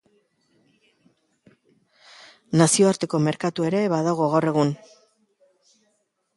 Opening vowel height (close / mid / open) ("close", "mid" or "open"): open